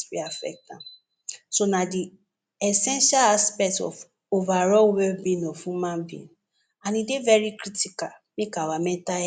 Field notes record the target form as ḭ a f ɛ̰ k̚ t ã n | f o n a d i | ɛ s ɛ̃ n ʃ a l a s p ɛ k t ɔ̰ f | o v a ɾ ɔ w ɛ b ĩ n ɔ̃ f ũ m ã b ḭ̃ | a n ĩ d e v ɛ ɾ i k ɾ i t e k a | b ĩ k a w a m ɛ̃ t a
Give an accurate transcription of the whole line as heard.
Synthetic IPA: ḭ a f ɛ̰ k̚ t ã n | s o n a d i | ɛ s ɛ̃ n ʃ a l a s p ɛ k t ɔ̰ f | o v a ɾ ɔ w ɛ b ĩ n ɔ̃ f ũ m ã b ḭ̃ | a n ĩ d e v ɛ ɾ i k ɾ i t i k a | m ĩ k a w a m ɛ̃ t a

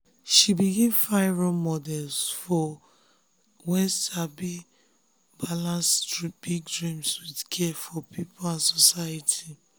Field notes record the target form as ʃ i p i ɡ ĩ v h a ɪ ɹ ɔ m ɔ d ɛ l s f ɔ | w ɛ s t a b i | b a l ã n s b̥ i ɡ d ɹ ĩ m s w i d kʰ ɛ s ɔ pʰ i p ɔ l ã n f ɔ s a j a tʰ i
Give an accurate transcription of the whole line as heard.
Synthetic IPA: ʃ i b i ɡ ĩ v f a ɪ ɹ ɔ m ɔ d ɛ l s f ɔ | w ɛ s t a b i | b a l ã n s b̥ i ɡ d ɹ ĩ m s w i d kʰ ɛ f ɔ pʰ i p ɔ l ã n s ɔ s a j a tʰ i

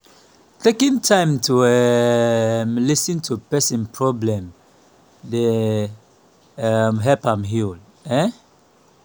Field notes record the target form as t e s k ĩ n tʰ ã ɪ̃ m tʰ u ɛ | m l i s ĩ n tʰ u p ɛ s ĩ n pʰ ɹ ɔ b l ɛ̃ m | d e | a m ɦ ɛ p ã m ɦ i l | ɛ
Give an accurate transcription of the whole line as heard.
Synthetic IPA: t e k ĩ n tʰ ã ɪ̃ m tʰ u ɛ | m l i s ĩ n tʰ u p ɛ s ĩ n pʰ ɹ ɔ b l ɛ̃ m | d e | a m ɦ ɛ p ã m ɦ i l | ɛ

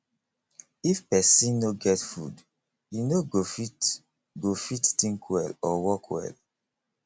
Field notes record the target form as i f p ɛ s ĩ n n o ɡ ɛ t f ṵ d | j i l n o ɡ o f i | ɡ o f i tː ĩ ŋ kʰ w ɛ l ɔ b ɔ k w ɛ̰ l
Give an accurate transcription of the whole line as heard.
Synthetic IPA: i f p ɛ s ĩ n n o ɡ ɛ t f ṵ d | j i n o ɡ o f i | ɡ o f i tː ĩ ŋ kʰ w ɛ l ɔ w ɔ k w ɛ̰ l

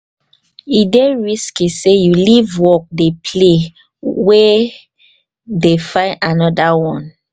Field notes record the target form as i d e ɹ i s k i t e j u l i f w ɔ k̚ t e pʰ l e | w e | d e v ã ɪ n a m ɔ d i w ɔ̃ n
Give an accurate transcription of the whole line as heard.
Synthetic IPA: i d e ɹ i s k i s e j u l i v w ɔ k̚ d e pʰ l e | w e | d e f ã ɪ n a n ɔ d a w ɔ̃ n

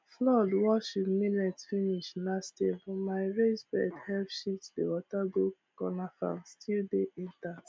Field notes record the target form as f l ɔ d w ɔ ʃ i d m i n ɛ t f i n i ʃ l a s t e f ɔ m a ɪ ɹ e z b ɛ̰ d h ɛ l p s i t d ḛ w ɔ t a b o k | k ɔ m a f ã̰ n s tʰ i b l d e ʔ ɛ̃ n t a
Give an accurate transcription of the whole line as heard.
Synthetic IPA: f l ɔ d w ɔ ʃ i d m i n ɛ t f i n i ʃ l a s t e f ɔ m a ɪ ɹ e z b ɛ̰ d h ɛ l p ʃ i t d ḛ w ɔ t a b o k | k ɔ n a f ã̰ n s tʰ i l d e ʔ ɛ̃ n t a

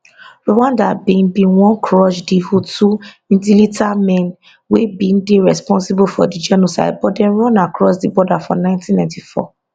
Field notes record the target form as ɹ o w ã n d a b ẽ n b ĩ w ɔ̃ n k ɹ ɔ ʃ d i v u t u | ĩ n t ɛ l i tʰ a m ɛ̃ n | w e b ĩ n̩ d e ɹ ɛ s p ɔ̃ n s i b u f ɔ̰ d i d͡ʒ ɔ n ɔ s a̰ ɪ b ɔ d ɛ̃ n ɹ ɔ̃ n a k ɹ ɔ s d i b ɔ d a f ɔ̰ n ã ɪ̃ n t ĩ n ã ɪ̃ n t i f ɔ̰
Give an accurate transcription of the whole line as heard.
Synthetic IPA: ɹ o w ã n d a b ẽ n b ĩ w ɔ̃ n k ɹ ɔ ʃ d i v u t u | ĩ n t i l i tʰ a m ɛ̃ n | w e b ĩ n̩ d e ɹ ɛ s p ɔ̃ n s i b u f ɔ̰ d i d͡ʒ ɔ n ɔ s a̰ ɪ b ɔ d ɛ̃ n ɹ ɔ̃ n a k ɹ ɔ s d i b ɔ d a f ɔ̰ n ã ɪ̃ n t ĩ n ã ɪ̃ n t i f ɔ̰

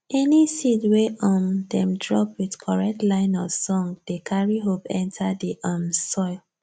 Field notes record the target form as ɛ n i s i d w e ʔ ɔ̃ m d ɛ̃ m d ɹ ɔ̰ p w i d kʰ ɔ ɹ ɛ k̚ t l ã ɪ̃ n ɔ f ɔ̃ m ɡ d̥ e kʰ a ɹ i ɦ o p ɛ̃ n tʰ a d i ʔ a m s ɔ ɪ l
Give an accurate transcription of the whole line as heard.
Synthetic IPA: ɛ n i s i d w e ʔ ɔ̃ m d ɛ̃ m d ɹ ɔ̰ p w i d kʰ ɔ ɹ ɛ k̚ t l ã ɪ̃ n ɔ s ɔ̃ ŋ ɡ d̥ e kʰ a ɹ i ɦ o p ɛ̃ n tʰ a d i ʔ a m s ɔ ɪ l

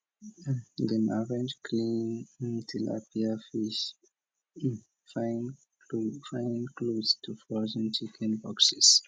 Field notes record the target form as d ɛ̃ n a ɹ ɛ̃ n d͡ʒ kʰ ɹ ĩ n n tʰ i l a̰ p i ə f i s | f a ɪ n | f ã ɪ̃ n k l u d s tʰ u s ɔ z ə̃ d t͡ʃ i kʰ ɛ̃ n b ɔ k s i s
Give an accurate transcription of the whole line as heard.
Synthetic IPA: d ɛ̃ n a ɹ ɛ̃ n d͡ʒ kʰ l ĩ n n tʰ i l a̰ p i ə f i ʃ | f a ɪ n | f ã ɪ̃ n k l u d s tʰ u f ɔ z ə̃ n t͡ʃ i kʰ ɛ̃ n b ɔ k s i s

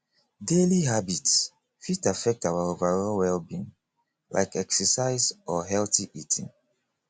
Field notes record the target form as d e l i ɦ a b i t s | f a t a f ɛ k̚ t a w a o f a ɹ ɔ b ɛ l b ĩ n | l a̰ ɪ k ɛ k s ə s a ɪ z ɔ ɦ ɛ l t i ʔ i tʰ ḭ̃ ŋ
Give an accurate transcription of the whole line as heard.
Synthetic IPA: d e l i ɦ a b i t s | f i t a f ɛ k̚ t a w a o v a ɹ ɔ w ɛ l b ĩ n | l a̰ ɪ k ɛ k s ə s a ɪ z ɔ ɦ ɛ l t i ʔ i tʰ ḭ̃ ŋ

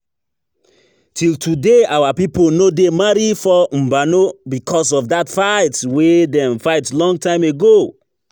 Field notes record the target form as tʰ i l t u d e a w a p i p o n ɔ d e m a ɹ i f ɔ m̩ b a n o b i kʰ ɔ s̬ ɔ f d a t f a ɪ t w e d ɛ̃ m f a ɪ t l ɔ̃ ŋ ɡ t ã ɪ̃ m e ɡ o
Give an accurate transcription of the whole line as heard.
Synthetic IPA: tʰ i l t u d e a w a p i p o n o d e m a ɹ i f ɔ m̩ b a n o b i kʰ ɔ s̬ ɔ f d a t f a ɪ t w e d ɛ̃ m f a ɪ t l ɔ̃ ŋ ɡ t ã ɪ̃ m e ɡ o

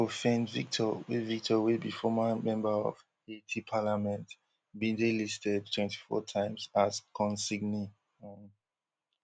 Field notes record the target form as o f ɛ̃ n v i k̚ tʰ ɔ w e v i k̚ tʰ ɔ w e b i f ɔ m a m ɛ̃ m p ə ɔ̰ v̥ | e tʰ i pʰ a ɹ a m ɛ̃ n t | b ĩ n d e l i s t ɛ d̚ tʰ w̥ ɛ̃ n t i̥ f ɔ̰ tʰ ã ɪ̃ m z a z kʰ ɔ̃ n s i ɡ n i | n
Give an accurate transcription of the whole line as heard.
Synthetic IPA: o f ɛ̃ n v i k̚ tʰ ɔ w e v i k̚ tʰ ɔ w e b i f ɔ m a m ɛ̃ m b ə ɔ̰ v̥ | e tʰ i pʰ a l a m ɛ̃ n t | b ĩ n d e l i s t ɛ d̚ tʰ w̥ ɛ̃ n t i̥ f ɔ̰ tʰ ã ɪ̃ m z a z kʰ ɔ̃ n s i ɡ n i | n

